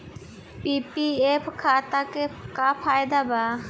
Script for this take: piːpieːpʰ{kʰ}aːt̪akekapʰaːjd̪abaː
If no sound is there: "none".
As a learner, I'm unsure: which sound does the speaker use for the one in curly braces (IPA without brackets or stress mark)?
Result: kʰ